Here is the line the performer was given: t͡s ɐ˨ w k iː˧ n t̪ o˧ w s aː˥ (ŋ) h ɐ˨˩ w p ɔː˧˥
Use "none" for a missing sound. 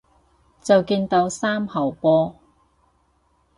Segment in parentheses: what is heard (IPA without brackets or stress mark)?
m